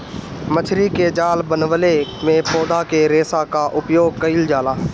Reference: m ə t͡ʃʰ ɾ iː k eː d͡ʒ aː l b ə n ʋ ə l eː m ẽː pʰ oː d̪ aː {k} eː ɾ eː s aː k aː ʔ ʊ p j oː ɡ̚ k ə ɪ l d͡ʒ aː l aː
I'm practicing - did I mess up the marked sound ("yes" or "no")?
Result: no